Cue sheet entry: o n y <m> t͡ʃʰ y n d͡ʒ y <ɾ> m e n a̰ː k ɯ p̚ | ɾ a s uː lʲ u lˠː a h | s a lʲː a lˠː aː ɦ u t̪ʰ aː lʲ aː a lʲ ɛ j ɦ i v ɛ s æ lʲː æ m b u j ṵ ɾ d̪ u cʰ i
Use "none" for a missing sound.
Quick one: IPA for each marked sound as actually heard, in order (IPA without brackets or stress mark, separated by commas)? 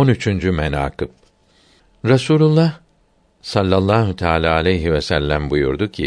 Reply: none, none